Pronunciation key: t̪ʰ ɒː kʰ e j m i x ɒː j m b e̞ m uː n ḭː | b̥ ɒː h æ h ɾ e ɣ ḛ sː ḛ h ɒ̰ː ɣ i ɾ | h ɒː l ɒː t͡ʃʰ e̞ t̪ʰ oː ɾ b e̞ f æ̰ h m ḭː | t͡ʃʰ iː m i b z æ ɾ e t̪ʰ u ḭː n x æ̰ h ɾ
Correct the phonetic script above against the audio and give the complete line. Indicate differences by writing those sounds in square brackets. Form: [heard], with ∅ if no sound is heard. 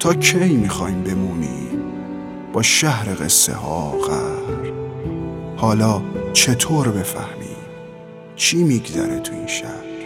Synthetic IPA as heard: t̪ʰ ɒː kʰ e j m i x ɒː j m b e̞ m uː n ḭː | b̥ ɒː [ʃ] æ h ɾ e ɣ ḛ sː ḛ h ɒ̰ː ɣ [æ] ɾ | h ɒː l ɒː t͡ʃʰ e̞ t̪ʰ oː ɾ b e̞ f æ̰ h m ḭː | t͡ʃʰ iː m i [ɡ] z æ ɾ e t̪ʰ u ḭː n [ʃ] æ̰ h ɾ